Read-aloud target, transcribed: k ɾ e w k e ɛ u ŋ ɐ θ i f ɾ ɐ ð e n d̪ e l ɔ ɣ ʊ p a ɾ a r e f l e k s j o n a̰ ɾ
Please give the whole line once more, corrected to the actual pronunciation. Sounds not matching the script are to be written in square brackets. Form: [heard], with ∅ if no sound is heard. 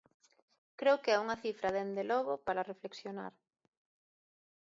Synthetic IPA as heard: k ɾ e w k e ɛ u ŋ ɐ θ i f ɾ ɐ ð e n d̪ e l ɔ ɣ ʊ p a ɾ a r e f l e k s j o n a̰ ɾ

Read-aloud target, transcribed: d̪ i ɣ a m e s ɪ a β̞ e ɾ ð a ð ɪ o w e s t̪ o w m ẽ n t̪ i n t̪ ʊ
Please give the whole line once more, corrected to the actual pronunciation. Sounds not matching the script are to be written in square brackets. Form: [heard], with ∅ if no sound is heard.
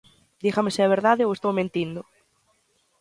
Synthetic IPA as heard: d̪ i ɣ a m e s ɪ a β̞ e ɾ ð a ð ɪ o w e s t̪ o w m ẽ n t̪ i n [d̪] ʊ

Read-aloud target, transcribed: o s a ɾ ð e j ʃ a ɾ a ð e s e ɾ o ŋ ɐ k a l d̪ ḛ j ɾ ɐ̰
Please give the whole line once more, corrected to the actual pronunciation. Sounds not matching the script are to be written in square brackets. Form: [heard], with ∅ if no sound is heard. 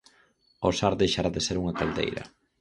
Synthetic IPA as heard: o s a ɾ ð e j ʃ a ɾ a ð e s e ɾ [u] ŋ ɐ k a l d̪ ḛ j ɾ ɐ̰

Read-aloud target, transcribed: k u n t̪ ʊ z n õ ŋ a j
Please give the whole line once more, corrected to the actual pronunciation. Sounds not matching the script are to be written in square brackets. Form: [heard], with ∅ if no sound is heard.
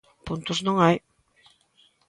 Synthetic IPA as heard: [p] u n t̪ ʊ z n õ ŋ a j

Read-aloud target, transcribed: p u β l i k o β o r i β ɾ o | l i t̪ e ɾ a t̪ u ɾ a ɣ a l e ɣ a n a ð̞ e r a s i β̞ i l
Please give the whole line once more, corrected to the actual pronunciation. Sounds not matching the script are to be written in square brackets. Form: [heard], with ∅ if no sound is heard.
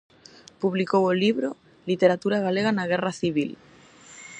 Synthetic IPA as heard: p u β l i k o [w] o [l] i β ɾ o | l i t̪ e ɾ a t̪ u ɾ a ɣ a l e ɣ a n a [ɣ̞] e r a [θ] i β̞ i l

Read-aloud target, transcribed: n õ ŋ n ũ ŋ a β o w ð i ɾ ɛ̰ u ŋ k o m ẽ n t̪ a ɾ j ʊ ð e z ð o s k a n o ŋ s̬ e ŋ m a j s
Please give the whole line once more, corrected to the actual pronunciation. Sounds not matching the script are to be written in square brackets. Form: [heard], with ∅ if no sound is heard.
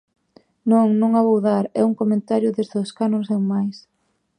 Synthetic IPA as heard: n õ ŋ n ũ ŋ a β o w ð [a] ɾ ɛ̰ u ŋ k o m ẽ n t̪ a ɾ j ʊ ð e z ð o s k a n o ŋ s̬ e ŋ m a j s

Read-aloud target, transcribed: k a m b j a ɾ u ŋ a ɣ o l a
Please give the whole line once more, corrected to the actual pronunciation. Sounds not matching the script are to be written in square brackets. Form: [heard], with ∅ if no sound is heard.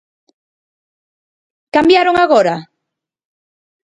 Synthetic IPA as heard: k a m b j a ɾ [o] ŋ a ɣ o [ɾ] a

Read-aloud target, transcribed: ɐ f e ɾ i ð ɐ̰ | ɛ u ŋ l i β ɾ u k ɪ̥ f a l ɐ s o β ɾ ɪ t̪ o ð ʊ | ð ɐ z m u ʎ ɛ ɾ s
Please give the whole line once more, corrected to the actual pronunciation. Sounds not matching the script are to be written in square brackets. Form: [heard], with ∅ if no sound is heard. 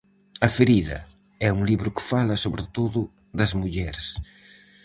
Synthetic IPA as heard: ɐ f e ɾ i ð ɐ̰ | ɛ u ŋ l i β ɾ [ʊ] k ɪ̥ f a l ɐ s o β ɾ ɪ t̪ o ð ʊ | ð ɐ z m u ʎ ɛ ɾ s

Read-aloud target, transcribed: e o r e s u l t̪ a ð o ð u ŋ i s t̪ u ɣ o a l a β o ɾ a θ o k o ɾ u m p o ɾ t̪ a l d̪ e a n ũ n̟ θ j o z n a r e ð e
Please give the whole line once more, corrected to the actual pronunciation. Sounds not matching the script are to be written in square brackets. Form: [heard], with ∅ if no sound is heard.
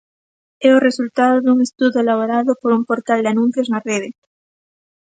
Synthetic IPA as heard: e o r e s u l t̪ a ð o ð u ŋ [e] s t̪ u [ð] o [e] l a β o ɾ a [ð] o [p] o ɾ u m p o ɾ t̪ a l d̪ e a n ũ n̟ θ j o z n a r e ð e

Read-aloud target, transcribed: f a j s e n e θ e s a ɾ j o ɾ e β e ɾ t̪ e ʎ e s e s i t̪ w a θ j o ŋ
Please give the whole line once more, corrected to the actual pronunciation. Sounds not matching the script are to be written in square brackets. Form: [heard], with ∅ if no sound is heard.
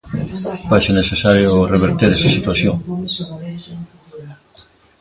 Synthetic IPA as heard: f a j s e n e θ e s a ɾ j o [r] e β e ɾ t̪ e [ɾ] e s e s i t̪ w a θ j o ŋ

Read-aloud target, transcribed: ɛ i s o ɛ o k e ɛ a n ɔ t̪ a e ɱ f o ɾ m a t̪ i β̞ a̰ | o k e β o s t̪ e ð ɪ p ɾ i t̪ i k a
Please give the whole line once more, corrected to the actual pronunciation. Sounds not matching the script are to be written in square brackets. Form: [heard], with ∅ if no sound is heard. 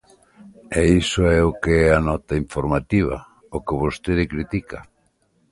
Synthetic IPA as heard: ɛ i s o ɛ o k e ɛ a n ɔ t̪ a [i] ɱ f o ɾ m a t̪ i β̞ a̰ | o k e β o s t̪ e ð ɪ [k] ɾ i t̪ i k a

